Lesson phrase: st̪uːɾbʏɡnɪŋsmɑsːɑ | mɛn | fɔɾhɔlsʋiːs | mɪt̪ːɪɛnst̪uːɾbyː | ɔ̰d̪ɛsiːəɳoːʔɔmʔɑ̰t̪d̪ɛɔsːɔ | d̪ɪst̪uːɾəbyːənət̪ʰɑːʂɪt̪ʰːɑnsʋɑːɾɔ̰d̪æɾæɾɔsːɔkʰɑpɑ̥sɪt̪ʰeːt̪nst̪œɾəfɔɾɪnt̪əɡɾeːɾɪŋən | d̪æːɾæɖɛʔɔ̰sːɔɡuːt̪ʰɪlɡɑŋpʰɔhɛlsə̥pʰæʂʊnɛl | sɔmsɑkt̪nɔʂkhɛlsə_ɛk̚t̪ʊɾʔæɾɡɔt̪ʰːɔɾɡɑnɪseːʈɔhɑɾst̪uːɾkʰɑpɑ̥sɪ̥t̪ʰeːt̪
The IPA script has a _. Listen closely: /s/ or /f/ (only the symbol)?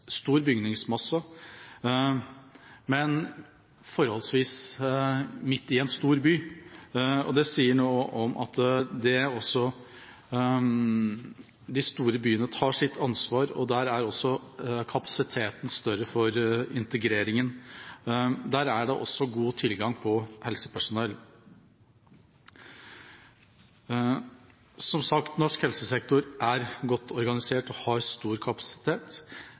s